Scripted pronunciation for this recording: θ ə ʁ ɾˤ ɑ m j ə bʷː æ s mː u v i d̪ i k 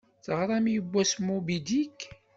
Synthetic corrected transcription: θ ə ʁ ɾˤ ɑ m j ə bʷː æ s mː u b i d̪ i k